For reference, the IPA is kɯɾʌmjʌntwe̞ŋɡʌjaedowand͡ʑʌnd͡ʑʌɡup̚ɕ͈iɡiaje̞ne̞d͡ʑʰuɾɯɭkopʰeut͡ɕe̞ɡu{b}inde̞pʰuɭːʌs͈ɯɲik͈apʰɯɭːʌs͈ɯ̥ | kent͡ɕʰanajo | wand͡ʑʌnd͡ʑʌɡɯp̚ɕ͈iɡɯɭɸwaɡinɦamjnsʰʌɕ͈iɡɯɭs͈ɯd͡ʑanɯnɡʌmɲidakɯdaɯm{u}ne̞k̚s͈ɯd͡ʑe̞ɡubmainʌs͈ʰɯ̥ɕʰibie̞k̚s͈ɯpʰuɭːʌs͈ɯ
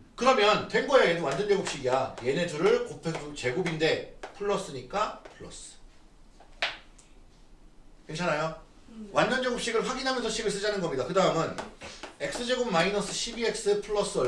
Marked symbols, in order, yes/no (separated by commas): yes, no